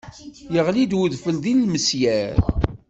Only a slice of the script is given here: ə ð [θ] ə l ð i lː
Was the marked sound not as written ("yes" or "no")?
yes